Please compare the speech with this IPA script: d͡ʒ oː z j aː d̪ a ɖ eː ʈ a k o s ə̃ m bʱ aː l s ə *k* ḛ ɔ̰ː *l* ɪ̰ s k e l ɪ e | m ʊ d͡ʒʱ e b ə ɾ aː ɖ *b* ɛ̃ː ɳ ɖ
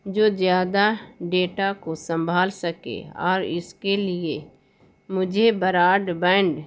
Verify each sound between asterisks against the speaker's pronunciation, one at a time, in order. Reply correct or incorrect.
correct, incorrect: ɾ, correct

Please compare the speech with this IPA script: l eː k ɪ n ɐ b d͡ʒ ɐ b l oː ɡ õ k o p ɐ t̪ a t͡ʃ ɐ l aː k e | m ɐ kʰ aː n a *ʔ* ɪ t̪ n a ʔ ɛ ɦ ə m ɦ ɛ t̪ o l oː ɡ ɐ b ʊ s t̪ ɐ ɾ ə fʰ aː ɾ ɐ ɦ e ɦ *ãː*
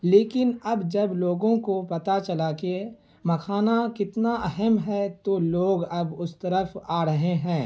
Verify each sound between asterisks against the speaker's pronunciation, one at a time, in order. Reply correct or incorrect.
incorrect: k, incorrect: ɛ̃ː

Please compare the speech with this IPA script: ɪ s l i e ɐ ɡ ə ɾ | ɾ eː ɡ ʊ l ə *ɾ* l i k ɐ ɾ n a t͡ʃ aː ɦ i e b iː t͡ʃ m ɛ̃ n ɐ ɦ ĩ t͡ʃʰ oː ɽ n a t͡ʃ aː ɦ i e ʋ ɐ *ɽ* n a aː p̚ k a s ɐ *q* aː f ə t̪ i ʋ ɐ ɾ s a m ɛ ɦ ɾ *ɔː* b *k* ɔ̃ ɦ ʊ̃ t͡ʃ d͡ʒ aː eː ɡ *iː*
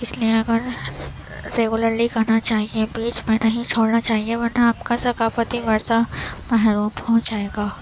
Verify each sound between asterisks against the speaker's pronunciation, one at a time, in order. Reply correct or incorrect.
correct, incorrect: ɾ, incorrect: k, incorrect: uː, incorrect: p, incorrect: aː

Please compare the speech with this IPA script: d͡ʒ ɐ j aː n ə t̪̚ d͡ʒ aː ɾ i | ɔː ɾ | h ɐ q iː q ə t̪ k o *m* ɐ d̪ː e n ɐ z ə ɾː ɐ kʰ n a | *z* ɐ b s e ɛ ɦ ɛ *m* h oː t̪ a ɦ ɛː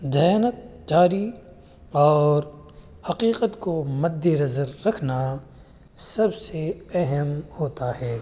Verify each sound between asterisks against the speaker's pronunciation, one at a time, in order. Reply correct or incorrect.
correct, incorrect: s, correct

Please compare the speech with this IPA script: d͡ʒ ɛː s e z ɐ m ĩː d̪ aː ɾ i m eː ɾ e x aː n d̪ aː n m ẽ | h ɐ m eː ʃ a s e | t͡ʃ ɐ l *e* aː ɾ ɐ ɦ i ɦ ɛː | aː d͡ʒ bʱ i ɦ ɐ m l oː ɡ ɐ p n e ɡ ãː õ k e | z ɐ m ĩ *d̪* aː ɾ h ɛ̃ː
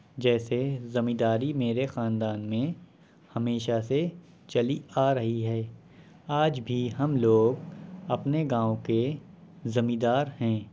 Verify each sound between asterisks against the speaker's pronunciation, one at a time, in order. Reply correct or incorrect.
incorrect: i, correct

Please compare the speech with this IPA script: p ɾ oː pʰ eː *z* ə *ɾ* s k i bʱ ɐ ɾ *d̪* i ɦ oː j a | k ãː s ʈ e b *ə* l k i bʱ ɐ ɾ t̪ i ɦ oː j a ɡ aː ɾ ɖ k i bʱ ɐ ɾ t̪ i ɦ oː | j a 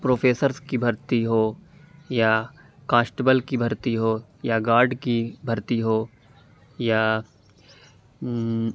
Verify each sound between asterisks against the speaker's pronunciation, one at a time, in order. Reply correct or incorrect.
incorrect: s, correct, incorrect: t̪, correct

